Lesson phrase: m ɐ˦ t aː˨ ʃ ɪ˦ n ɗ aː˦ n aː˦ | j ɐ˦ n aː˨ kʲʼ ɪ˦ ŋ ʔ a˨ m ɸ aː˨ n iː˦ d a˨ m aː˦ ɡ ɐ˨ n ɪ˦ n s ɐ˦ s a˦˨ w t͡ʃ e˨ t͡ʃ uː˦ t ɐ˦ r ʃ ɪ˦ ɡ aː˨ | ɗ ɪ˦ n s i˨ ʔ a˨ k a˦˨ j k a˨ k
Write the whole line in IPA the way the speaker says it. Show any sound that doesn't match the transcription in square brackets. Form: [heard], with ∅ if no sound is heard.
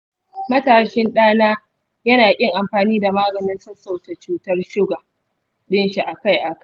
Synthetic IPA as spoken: m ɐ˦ t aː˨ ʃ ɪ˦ n ɗ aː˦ n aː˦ | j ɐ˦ n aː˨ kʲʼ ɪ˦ ŋ ʔ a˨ m ɸ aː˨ n iː˦ d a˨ m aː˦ ɡ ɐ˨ n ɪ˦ n s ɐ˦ s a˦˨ w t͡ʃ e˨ t͡ʃ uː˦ t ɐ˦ r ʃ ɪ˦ ɡ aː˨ | ɗ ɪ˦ n [ʃ] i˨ ʔ a˨ k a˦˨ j [ʔ] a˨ k